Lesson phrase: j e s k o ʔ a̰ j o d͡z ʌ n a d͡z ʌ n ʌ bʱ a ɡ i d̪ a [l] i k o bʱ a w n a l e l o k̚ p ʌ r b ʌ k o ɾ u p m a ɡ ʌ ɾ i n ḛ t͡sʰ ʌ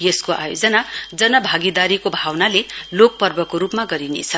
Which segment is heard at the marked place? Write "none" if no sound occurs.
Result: ɾ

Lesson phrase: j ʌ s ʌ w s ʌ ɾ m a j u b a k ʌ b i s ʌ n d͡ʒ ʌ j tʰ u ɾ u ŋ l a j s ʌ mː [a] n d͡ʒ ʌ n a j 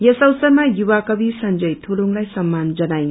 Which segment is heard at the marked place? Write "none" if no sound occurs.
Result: a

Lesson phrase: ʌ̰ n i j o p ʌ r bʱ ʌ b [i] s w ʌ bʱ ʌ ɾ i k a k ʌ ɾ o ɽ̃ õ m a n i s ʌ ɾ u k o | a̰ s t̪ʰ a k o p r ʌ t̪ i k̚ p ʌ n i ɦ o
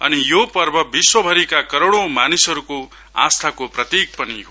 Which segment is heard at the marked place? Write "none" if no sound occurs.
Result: i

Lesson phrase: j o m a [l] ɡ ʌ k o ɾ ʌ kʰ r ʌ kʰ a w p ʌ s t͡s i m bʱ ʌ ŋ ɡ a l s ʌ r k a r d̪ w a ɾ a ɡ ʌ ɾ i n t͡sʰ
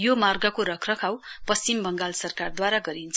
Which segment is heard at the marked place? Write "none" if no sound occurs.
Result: r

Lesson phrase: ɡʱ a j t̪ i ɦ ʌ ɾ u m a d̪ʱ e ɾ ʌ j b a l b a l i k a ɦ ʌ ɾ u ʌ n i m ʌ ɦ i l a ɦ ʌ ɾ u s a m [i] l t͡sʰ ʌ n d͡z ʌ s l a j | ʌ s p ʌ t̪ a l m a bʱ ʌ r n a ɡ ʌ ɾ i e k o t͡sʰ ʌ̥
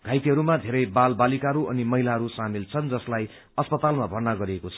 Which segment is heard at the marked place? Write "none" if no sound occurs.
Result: i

